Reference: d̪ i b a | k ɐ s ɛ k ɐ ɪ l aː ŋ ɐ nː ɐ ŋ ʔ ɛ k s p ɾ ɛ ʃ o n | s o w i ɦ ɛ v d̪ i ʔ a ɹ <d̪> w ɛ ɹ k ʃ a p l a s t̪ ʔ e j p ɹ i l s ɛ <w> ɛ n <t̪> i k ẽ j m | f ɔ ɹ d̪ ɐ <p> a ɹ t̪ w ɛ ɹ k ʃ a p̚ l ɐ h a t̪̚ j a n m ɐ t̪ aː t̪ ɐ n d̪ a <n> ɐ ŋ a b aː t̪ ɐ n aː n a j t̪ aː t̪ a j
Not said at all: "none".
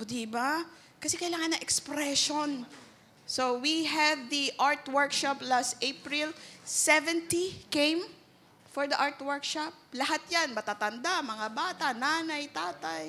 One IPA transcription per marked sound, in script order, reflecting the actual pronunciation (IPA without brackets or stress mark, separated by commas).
t̪, v, t̪, ʔ, m